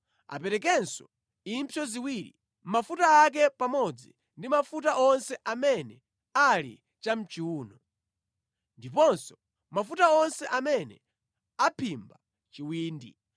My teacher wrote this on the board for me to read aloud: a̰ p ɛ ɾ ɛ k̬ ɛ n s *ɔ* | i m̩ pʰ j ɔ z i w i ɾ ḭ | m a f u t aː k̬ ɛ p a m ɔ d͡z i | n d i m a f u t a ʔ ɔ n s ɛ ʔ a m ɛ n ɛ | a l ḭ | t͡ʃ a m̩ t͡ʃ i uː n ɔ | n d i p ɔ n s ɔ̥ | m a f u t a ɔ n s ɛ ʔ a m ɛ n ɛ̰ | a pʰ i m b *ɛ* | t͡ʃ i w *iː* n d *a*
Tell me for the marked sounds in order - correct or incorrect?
correct, incorrect: a, correct, incorrect: i

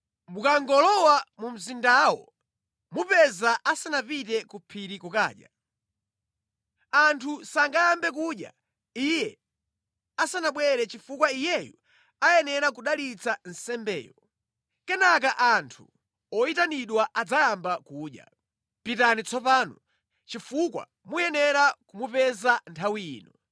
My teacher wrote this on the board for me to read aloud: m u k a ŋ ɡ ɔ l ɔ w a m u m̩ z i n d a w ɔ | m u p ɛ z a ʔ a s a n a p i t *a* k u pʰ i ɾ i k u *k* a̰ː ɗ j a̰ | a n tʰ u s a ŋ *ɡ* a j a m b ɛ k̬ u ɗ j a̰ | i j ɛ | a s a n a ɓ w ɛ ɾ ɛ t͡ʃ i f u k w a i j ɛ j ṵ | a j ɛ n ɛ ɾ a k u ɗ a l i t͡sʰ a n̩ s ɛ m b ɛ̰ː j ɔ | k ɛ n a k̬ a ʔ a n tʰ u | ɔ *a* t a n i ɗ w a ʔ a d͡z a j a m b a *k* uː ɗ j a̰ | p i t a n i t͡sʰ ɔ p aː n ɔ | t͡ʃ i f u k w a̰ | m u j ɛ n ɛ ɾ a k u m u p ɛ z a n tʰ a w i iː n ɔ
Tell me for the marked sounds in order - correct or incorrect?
incorrect: ɛ, correct, correct, incorrect: i, correct

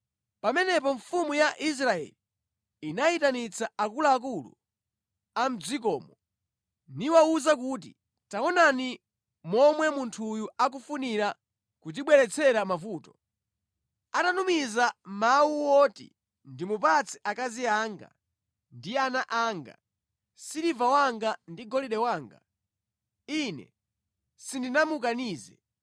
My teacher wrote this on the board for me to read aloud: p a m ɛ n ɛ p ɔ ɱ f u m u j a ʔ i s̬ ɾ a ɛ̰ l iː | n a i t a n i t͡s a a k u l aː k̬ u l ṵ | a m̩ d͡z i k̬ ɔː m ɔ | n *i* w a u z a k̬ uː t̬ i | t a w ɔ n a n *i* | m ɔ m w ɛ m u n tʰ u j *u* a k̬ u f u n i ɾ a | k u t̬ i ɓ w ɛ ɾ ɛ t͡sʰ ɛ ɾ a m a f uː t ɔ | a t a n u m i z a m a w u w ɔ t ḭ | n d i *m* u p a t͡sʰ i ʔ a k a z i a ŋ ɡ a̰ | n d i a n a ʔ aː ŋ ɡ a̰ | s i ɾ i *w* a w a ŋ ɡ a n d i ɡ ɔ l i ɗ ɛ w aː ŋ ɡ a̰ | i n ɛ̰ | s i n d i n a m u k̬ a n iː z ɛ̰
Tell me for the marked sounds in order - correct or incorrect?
correct, correct, correct, correct, incorrect: v

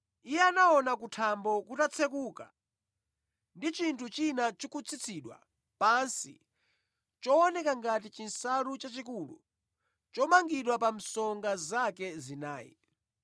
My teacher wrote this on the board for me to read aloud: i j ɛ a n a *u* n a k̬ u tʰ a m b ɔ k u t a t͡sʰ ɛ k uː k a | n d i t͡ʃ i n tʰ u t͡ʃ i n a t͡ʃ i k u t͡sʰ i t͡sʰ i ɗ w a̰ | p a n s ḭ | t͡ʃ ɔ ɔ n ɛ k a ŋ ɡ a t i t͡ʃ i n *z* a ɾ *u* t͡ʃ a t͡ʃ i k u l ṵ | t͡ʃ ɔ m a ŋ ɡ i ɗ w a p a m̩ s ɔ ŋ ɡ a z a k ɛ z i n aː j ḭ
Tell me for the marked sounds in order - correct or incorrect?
incorrect: ɔ, incorrect: s, correct

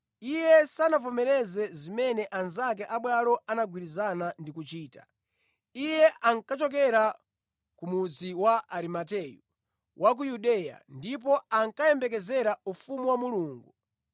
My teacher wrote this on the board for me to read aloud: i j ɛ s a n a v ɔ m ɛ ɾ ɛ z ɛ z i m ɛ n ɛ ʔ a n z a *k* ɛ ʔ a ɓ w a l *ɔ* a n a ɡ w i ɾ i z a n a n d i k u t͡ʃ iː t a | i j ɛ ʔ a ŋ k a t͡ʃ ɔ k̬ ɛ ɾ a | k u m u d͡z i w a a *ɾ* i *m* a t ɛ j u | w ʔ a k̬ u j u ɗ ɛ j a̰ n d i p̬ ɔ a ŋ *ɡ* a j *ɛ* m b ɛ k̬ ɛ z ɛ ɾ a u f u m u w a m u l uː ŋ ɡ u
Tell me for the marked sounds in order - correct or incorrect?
correct, correct, correct, correct, incorrect: k, correct

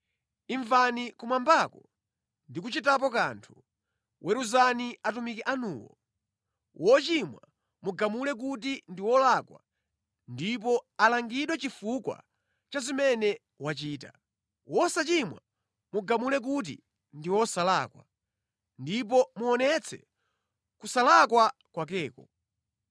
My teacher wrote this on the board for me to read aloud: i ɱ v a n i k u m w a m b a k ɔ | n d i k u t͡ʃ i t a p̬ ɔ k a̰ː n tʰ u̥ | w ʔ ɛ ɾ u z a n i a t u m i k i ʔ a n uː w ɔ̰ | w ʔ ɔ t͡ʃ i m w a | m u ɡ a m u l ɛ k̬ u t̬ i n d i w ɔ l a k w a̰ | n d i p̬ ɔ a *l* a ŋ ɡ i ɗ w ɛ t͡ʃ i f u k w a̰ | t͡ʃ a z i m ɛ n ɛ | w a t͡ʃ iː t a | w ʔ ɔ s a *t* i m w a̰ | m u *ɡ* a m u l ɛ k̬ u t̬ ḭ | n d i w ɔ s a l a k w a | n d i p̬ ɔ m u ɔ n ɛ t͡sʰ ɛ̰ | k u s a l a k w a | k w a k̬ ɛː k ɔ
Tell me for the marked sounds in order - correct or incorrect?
correct, incorrect: t͡ʃ, correct

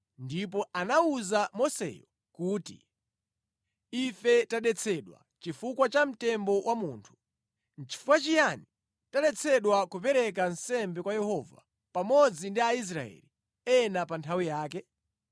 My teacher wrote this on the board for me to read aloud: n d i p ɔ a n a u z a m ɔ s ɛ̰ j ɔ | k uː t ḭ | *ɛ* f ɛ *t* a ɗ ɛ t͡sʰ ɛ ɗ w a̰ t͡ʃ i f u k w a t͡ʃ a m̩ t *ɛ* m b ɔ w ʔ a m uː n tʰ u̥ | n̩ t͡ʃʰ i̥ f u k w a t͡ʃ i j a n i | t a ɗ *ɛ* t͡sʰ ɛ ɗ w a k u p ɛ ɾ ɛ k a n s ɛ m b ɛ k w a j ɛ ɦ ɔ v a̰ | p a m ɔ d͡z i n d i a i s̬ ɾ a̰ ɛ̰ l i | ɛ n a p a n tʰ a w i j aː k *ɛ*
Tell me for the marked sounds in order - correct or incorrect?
incorrect: i, correct, correct, correct, correct

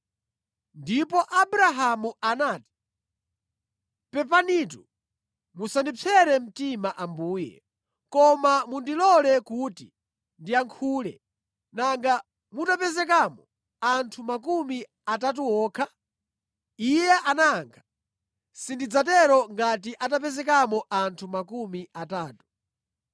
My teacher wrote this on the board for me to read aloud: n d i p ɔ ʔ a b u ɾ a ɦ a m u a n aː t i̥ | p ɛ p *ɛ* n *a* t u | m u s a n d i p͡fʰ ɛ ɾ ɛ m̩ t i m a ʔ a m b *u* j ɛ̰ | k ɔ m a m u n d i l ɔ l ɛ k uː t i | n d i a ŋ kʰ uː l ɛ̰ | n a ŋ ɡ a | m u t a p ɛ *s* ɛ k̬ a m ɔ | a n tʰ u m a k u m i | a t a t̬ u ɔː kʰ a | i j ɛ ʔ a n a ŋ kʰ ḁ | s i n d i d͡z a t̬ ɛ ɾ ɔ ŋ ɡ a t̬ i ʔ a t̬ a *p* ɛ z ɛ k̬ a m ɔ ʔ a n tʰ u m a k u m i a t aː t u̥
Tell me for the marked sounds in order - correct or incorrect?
incorrect: a, incorrect: i, incorrect: uː, incorrect: z, correct

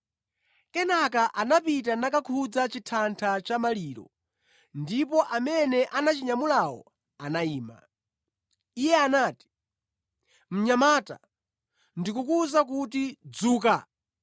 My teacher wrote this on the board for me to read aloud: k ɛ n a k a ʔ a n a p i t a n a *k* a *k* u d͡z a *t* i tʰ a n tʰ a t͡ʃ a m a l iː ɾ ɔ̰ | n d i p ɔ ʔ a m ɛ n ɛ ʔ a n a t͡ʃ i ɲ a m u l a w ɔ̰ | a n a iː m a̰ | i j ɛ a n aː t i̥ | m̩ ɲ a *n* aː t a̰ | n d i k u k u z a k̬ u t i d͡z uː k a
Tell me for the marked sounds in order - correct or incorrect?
correct, incorrect: kʰ, incorrect: t͡ʃ, incorrect: m

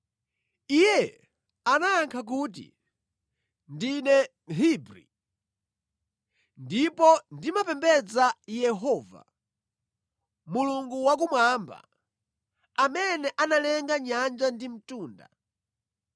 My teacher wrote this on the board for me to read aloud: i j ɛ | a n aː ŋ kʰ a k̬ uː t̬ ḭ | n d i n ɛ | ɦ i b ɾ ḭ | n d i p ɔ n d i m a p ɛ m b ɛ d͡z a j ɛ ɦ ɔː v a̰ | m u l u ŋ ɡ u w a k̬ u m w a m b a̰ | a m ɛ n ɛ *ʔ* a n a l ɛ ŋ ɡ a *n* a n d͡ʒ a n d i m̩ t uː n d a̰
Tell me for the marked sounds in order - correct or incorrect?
correct, incorrect: ɲ

